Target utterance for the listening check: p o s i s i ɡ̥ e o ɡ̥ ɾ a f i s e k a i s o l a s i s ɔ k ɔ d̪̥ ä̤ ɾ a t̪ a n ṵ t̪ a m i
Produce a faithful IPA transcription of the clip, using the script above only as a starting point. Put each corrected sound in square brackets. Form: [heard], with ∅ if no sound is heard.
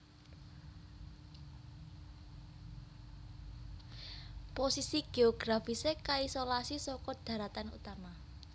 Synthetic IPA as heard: p o s i s i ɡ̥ e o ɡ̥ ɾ a f i s e k a i s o l a s i s ɔ k ɔ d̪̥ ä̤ ɾ a t̪ a n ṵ t̪ a m [a]